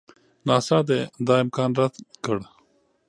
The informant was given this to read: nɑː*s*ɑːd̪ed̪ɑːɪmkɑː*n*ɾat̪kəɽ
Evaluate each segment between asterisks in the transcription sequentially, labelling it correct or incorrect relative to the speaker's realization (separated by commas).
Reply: correct, correct